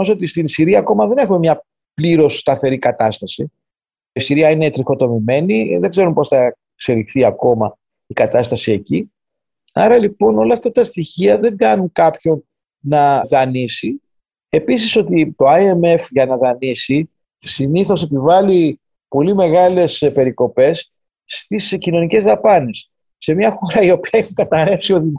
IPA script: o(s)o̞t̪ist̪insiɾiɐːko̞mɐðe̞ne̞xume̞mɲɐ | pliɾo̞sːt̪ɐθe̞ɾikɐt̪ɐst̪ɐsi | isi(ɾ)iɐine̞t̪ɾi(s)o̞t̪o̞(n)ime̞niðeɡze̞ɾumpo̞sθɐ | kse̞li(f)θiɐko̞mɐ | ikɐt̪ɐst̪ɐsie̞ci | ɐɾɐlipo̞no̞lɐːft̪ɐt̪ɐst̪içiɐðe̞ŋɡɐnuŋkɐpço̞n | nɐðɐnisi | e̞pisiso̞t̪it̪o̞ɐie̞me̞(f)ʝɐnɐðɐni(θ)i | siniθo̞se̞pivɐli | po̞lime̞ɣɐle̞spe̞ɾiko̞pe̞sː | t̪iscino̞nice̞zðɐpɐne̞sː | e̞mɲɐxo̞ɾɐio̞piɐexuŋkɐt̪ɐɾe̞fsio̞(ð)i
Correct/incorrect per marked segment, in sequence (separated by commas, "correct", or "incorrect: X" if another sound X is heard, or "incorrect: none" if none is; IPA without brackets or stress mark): correct, correct, incorrect: x, incorrect: m, incorrect: x, correct, incorrect: s, correct